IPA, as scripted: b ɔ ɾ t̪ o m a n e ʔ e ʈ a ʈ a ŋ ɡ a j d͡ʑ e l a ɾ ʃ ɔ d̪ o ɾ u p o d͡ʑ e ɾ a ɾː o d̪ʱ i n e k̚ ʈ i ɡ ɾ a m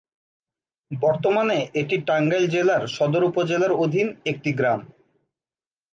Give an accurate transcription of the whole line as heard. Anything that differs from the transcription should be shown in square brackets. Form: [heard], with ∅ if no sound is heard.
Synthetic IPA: b ɔ ɾ t̪ o m a n e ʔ e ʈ [i] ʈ a ŋ ɡ a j d͡ʑ e l a ɾ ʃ ɔ d̪ o ɾ u p o d͡ʑ e [l] a [ɾ] o d̪ʱ i n e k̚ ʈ i ɡ ɾ a m